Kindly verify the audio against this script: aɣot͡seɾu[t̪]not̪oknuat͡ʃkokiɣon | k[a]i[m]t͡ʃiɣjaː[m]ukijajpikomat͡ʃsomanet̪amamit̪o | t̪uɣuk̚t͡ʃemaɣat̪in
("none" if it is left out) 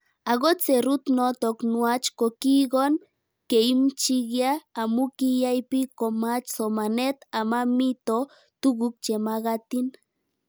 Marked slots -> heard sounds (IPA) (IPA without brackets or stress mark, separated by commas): t̪, e, m, m